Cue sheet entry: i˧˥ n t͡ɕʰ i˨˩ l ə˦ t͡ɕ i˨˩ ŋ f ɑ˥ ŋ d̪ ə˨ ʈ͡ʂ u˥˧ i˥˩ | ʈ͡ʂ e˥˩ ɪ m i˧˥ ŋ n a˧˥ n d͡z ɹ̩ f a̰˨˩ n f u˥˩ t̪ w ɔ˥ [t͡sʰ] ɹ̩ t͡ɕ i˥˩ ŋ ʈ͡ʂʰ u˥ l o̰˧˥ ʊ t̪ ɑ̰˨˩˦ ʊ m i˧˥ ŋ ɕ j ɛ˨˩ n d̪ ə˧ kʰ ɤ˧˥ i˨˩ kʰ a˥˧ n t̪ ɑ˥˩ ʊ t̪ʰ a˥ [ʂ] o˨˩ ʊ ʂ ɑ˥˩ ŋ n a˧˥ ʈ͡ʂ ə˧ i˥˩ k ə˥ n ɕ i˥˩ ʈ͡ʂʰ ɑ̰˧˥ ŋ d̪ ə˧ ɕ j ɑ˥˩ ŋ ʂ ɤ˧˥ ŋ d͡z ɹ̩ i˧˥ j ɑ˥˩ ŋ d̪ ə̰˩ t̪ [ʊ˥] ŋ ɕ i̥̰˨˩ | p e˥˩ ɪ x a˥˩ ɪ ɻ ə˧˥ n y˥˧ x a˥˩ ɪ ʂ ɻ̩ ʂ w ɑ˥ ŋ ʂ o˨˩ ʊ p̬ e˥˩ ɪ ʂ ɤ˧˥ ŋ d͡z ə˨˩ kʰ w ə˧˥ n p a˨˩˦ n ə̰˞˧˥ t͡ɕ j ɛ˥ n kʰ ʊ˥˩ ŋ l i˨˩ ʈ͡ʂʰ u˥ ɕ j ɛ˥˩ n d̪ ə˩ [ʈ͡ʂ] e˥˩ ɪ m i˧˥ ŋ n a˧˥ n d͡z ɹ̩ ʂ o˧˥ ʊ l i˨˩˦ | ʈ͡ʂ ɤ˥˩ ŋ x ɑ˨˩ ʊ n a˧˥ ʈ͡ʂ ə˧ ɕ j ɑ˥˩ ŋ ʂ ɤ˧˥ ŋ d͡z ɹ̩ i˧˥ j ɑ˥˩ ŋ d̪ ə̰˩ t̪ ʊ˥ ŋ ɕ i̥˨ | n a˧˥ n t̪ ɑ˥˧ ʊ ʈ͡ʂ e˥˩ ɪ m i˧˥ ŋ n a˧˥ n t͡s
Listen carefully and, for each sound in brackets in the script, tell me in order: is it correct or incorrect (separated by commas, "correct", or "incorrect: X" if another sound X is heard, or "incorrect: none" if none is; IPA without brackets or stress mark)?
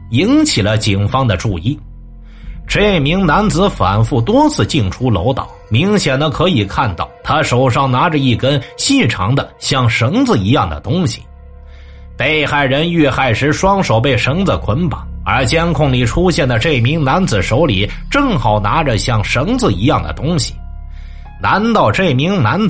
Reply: correct, correct, correct, correct